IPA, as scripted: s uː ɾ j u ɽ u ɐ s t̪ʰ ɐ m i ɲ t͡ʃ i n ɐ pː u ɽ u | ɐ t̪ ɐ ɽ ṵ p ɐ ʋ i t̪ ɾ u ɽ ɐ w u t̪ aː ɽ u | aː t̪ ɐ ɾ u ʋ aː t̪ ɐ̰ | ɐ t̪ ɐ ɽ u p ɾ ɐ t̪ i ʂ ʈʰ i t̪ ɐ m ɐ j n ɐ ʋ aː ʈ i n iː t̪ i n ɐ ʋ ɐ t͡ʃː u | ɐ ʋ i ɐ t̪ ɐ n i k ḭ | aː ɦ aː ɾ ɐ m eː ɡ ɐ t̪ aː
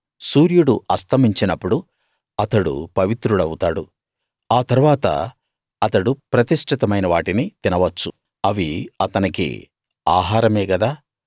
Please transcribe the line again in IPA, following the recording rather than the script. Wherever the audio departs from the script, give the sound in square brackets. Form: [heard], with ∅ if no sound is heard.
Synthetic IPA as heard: s uː ɾ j u ɽ u ɐ s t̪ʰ ɐ m i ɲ t͡ʃ i n ɐ pː u ɽ u | ɐ t̪ ɐ ɽ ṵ p ɐ ʋ i t̪ ɾ u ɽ ɐ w u t̪ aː ɽ u | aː t̪ ɐ ɾ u ʋ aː t̪ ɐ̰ | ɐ t̪ ɐ ɽ u p ɾ ɐ t̪ i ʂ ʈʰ i t̪ ɐ m ɐ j n ɐ ʋ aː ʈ i n [i] t̪ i n ɐ ʋ ɐ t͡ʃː u | ɐ ʋ i ɐ t̪ ɐ n i k ḭ | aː ɦ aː ɾ ɐ m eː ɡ ɐ [d̪] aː